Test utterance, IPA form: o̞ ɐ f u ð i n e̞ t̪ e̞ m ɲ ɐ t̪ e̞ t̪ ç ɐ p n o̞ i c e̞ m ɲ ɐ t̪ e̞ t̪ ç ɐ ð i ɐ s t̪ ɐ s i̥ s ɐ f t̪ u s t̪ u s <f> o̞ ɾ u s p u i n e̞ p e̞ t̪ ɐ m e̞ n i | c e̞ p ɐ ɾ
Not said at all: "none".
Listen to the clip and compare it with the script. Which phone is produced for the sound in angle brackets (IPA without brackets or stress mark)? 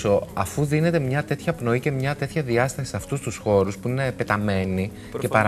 x